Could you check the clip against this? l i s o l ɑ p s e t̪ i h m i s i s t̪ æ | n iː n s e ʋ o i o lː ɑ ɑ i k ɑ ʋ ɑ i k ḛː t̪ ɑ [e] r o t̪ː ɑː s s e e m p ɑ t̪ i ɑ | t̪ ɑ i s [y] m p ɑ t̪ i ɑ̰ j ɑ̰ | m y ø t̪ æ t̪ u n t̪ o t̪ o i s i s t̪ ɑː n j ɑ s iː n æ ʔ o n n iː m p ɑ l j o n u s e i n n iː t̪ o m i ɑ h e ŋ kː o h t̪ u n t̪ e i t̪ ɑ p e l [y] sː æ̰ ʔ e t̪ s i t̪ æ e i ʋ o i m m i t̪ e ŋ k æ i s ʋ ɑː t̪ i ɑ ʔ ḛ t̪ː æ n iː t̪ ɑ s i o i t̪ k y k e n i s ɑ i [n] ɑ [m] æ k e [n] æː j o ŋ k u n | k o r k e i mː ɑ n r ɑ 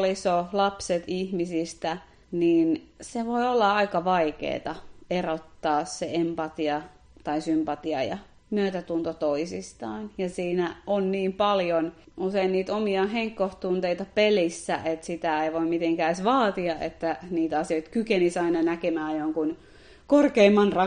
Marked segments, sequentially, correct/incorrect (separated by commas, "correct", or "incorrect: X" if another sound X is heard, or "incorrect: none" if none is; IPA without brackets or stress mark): correct, correct, incorrect: i, correct, incorrect: n, incorrect: m